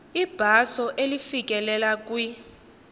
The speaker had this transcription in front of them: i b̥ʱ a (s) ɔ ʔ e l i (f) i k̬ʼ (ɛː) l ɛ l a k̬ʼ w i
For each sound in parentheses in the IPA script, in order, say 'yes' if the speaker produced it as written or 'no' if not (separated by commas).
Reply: yes, yes, no